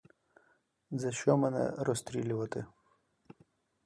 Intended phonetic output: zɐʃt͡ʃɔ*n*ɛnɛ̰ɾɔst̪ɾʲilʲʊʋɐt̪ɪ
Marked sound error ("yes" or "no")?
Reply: yes